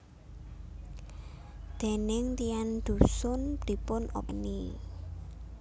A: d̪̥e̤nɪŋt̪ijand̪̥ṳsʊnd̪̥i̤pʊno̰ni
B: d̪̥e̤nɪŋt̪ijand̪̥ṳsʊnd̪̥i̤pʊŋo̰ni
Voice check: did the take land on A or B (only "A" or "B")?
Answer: A